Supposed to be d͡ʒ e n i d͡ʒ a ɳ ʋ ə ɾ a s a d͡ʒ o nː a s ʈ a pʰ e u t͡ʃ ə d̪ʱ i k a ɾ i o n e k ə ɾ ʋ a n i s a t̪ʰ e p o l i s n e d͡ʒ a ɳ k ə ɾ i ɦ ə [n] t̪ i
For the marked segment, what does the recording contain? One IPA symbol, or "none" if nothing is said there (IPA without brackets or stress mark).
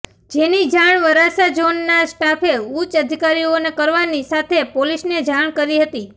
none